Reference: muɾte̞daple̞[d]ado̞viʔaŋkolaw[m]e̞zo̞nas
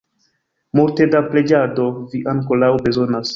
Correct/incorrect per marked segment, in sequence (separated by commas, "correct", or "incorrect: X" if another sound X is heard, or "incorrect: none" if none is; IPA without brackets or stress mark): incorrect: d͡ʒ, incorrect: b